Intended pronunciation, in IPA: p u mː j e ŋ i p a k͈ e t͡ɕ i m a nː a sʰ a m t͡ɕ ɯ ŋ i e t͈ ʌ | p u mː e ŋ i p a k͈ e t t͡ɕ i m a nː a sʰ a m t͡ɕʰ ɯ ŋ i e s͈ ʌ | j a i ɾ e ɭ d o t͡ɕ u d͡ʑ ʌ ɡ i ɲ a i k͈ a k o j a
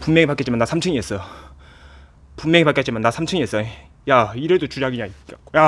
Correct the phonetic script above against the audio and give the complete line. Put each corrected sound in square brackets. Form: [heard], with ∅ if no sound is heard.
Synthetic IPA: p u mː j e ŋ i p a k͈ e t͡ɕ i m a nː a sʰ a m [t͡ɕʰ] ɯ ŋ i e [s͈] ʌ | p u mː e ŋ i p a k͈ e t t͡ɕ i m a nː a sʰ a m t͡ɕʰ ɯ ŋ i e s͈ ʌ | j a i ɾ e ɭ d o t͡ɕ u d͡ʑ [a] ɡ i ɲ a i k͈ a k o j a